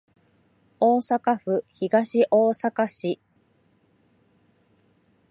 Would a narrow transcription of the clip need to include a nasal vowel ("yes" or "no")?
no